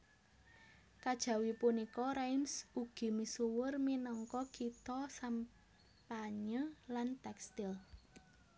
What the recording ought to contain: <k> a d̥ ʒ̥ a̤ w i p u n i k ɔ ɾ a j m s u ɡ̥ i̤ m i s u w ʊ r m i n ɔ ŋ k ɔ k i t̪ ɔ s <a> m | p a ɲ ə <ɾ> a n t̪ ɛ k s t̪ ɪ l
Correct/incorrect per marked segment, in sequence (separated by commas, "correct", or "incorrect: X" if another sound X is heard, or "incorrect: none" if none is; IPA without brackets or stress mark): correct, correct, incorrect: l